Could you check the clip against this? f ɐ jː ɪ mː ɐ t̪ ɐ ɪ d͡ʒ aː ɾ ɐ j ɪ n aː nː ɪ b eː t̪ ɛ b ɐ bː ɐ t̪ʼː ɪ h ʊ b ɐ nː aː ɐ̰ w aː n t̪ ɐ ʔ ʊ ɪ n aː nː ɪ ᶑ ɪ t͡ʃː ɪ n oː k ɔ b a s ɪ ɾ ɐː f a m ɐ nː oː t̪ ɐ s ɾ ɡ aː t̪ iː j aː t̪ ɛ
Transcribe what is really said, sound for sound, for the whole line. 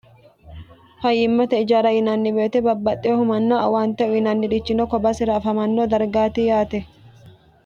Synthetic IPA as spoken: f ɐ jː ɪ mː ɐ t̪ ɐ ɪ d͡ʒ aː ɾ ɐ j ɪ n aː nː ɪ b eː t̪ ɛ b ɐ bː ɐ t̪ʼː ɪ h ʊ m ɐ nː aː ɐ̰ w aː n t̪ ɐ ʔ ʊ ɪ n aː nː ɪ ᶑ ɪ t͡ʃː ɪ n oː k ɔ b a s ɪ ɾ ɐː f ɐ m ɐ nː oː d̪ ɐ ɾ ɡ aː t̪ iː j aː t̪ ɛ